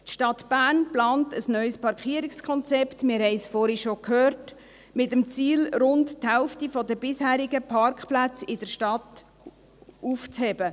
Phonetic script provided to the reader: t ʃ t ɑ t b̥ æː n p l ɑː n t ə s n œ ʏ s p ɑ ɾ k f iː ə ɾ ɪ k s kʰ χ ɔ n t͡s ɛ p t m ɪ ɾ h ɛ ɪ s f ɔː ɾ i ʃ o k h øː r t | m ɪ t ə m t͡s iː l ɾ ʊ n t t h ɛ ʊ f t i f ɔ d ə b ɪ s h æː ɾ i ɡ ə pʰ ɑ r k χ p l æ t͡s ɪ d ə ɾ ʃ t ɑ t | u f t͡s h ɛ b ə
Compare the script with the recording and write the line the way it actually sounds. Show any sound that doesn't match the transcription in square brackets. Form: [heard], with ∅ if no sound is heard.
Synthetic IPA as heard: t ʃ t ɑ t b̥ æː n p l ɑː n t ə s n œ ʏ s p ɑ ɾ k [χ] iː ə ɾ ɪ k s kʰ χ ɔ n t͡s ɛ p t m ɪ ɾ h ɛ ɪ s f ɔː ɾ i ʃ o k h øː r t | m ɪ t ə m t͡s iː l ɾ ʊ n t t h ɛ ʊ f t i f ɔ d ə b ɪ s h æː ɾ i ɡ ə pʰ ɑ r k χ p l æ t͡s ɪ d ə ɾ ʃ t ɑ t | u f t͡s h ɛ b ə

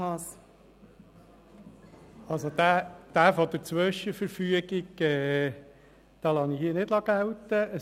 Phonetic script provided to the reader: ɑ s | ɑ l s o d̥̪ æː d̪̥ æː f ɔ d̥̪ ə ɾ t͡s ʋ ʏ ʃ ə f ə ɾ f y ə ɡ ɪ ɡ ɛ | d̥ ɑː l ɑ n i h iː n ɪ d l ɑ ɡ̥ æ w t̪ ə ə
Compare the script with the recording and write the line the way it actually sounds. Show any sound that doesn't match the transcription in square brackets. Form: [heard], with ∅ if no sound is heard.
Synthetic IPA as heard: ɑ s | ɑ l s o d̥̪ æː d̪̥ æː f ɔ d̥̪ ə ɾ t͡s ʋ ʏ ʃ ə f ə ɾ f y ə ɡ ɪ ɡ ɛ | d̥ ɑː l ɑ n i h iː n ɪ d l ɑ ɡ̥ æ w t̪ ə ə

